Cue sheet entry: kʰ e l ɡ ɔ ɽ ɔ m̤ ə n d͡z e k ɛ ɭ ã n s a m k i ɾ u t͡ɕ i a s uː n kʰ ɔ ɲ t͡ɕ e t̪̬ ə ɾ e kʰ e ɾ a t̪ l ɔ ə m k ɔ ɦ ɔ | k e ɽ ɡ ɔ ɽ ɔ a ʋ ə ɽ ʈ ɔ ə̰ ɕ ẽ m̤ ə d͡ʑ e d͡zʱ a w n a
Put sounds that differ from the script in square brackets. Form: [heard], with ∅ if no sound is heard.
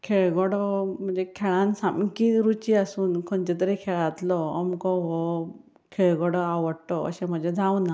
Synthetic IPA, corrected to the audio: kʰ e [ɭ] ɡ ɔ ɽ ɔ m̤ ə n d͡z e [kʰ] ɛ ɭ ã n s a m k i ɾ u t͡ɕ i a s uː n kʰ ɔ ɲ t͡ɕ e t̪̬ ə ɾ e kʰ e [ɭ] a t̪ l ɔ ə m k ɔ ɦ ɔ | [kʰ] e [ɭ] ɡ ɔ ɽ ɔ a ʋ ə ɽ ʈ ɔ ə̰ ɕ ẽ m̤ ə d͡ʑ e d͡zʱ a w n a